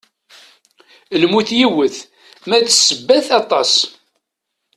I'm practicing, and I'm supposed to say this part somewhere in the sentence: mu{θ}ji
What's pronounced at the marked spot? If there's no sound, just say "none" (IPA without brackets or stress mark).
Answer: θ